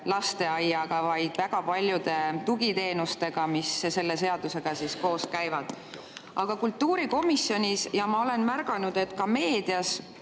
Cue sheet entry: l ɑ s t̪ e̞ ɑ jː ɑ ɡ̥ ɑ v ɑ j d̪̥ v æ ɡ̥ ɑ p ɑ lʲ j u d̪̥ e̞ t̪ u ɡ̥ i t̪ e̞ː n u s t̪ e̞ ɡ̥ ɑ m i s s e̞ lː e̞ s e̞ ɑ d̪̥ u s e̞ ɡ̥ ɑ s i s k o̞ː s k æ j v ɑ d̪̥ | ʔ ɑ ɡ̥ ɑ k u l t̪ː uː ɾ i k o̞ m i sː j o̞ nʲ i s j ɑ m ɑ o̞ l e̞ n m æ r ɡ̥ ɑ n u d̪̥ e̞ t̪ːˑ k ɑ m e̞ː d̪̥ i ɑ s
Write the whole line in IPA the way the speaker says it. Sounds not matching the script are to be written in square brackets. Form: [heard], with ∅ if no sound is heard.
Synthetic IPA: l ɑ s t̪ e̞ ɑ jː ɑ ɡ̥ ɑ v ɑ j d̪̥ v æ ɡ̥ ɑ p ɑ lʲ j u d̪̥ e̞ t̪ u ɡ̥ i t̪ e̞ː n u s t̪ e̞ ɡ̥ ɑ m i s s e̞ lː e̞ s e̞ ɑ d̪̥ u s e̞ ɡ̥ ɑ s i s k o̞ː s k æ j v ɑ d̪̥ | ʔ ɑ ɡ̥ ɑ k u l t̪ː uː ɾ i k o̞ m i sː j o̞ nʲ i s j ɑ m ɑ o̞ l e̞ n m æ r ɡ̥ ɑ n u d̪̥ e̞ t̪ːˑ k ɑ m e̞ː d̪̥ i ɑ s

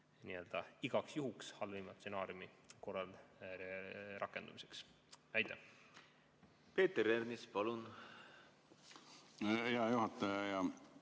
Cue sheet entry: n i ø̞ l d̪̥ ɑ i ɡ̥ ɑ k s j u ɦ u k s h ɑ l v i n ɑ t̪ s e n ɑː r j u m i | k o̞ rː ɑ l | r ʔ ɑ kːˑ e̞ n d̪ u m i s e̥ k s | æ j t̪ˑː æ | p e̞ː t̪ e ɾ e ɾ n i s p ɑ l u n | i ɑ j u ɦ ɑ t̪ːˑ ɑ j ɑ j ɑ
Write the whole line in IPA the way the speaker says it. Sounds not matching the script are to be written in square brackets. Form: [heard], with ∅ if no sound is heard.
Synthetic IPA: n i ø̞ l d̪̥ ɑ i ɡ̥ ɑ k s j u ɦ u k s h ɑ l v i [m] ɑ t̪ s e n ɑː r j u m i | k o̞ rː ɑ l | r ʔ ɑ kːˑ e̞ n d̪ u m i s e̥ k s | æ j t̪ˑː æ | p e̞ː t̪ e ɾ e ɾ n i s p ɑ l u n | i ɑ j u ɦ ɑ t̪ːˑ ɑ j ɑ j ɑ

